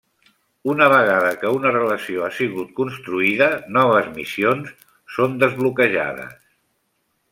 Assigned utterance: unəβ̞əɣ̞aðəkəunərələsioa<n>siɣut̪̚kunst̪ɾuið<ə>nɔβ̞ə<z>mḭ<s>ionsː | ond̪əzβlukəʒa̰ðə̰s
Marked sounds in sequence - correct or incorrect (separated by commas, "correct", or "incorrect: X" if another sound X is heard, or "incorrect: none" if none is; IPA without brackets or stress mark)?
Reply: incorrect: none, correct, correct, correct